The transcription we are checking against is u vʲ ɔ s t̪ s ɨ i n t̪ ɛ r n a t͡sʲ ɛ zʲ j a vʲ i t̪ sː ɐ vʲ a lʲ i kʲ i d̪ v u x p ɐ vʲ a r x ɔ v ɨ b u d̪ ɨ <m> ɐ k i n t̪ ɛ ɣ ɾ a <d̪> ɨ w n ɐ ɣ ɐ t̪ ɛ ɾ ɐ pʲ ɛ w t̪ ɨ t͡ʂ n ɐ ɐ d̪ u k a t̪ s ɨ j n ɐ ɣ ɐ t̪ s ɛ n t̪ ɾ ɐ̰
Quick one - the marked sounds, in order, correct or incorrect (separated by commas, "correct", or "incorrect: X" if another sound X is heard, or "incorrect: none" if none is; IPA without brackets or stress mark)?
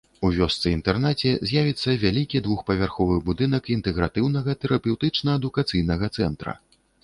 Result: incorrect: n, incorrect: t̪